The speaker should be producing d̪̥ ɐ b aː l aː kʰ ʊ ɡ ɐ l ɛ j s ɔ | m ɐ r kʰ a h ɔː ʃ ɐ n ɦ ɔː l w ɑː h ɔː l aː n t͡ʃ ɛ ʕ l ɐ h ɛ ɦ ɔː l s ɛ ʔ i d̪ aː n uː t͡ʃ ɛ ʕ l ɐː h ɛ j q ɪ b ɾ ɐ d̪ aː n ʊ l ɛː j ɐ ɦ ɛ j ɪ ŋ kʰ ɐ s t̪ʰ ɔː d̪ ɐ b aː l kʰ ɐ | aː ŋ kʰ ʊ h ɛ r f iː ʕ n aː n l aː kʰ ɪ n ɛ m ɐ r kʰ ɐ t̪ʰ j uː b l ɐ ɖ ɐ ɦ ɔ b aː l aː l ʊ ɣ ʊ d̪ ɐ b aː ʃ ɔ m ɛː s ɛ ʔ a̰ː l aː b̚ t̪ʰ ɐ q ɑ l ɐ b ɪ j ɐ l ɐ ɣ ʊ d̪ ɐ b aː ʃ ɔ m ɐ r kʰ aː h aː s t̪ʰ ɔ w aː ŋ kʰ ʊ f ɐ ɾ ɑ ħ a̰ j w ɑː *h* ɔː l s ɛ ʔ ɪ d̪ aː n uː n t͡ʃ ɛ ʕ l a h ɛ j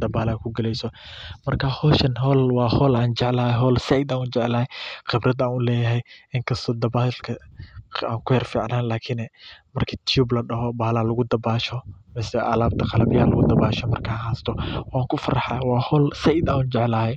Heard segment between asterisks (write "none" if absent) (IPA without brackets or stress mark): h